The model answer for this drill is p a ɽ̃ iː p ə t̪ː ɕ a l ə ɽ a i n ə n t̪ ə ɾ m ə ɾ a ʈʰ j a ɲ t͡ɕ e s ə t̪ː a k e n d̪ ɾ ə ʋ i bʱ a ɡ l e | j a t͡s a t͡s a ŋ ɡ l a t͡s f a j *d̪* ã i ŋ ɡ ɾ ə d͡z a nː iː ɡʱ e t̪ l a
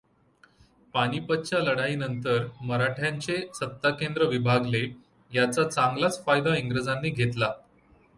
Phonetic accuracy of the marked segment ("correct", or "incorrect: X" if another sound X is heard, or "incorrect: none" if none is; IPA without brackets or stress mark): correct